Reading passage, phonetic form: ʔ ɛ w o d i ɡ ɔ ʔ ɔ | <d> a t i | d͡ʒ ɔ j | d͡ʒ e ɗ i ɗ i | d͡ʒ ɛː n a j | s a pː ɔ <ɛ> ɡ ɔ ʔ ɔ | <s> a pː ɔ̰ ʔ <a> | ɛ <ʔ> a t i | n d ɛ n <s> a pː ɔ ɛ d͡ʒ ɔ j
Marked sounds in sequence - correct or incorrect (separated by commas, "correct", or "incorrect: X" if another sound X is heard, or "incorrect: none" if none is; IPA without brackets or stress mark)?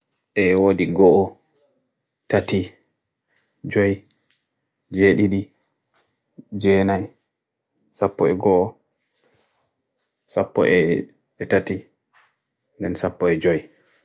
incorrect: t, correct, correct, incorrect: ɛ, incorrect: t, correct